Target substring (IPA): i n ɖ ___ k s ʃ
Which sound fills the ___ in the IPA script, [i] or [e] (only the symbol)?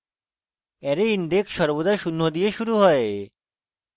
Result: e